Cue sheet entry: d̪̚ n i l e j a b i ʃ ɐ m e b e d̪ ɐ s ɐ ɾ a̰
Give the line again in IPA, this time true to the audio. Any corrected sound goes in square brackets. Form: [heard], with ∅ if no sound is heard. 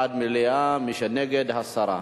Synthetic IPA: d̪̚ [m] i l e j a [m] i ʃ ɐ [n] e [ɡ] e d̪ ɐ s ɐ ɾ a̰